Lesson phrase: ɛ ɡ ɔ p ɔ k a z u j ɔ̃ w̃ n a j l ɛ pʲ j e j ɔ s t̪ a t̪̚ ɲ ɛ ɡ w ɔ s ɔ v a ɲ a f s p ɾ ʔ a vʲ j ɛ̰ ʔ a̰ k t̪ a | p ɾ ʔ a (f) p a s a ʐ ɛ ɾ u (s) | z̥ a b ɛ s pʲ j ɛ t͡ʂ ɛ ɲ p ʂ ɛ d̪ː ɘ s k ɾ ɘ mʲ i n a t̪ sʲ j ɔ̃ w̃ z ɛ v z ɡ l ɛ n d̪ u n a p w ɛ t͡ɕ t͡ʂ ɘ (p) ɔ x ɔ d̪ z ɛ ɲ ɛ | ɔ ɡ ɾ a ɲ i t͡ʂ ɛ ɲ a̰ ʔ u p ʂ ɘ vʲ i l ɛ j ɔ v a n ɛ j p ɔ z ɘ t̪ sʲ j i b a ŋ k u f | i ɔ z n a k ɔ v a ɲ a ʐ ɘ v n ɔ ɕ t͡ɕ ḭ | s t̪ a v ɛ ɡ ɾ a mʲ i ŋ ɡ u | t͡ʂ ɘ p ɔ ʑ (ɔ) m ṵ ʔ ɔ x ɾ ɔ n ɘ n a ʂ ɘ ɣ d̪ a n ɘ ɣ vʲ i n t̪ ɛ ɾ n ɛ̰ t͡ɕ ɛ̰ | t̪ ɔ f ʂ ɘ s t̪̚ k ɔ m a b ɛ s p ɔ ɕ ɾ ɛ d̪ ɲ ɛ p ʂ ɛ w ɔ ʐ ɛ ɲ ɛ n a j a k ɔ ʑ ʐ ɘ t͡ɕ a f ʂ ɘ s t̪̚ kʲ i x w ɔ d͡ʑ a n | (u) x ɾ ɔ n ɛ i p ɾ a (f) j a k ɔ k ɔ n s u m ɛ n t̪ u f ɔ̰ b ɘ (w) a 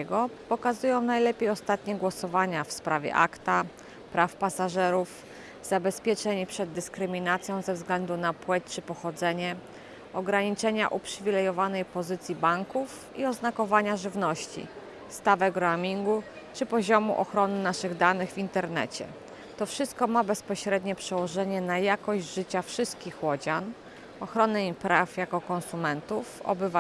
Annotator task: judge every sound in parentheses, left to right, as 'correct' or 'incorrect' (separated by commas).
correct, incorrect, correct, correct, incorrect, correct, incorrect